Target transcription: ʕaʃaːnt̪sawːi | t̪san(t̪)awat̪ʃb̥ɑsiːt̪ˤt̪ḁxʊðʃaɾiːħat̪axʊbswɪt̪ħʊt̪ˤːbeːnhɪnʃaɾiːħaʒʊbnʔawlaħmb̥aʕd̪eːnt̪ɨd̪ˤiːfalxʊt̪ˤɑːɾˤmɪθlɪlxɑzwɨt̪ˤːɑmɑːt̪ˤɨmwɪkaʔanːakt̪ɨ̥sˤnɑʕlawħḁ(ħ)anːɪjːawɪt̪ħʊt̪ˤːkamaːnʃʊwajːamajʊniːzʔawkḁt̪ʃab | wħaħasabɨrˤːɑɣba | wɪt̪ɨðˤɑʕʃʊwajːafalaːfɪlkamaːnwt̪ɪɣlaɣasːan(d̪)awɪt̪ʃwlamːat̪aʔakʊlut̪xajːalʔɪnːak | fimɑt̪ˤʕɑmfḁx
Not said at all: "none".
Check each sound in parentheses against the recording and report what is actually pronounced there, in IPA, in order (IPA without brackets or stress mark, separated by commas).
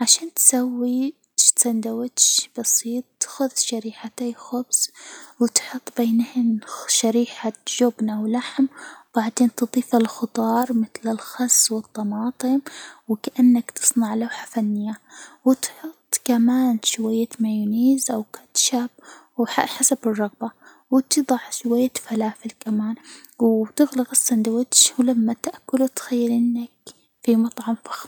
d̪, f, d̪